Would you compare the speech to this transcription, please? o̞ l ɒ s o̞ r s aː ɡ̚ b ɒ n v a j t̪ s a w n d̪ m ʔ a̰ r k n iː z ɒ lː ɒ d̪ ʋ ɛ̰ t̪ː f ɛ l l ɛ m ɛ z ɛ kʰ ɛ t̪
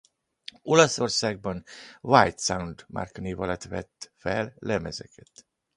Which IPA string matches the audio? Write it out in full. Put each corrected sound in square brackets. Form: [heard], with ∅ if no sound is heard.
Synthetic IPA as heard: o̞ l ɒ s o̞ r s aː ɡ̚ b ɒ n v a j t̪ s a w n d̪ m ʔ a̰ r k n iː [v] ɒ [l] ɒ [t̪] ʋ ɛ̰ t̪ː f ɛ l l ɛ m ɛ z ɛ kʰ ɛ t̪